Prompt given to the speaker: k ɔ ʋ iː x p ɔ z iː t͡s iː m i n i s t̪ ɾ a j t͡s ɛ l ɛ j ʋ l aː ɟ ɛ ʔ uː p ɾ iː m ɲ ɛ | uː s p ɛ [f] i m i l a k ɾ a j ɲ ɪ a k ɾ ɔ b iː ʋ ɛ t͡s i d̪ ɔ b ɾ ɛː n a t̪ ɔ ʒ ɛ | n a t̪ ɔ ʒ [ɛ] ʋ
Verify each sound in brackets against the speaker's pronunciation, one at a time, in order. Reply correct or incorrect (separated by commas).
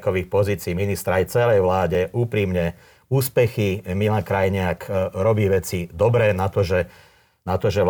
incorrect, correct